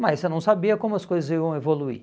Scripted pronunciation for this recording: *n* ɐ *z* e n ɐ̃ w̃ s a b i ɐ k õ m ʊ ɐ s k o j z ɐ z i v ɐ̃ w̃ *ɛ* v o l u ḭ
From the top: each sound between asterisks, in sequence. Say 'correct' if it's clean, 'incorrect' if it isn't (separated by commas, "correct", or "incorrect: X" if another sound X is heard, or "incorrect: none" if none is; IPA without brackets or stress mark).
incorrect: m, incorrect: s, incorrect: e